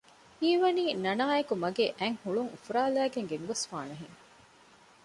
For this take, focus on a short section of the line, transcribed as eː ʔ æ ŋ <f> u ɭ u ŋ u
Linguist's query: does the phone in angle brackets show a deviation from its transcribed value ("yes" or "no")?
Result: yes